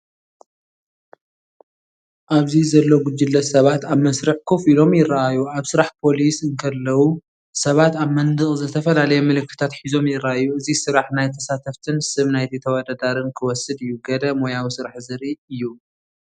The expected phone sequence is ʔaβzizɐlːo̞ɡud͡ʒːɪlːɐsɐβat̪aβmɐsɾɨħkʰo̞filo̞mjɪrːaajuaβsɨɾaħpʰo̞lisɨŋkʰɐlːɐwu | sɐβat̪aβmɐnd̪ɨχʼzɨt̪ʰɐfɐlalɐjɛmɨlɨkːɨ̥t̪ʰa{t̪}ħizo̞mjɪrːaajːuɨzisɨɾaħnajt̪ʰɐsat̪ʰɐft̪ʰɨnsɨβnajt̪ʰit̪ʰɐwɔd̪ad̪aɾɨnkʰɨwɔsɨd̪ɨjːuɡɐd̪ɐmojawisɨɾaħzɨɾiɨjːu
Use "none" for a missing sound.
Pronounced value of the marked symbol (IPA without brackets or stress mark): t̪